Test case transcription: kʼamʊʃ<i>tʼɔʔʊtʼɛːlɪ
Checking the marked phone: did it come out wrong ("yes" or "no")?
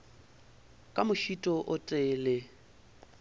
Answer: no